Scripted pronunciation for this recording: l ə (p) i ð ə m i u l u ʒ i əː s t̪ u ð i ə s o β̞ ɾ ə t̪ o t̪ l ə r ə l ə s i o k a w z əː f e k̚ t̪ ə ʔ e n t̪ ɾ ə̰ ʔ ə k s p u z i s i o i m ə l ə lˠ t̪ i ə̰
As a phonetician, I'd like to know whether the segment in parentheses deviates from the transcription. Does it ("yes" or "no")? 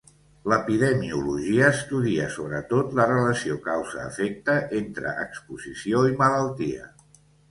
no